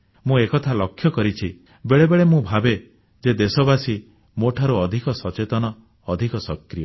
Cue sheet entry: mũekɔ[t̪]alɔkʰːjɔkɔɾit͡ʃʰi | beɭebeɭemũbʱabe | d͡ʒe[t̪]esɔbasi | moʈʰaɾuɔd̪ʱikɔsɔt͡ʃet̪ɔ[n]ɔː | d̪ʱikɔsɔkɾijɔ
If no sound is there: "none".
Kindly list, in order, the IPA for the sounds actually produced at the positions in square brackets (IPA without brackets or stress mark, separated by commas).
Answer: t̪ʰ, d̪, n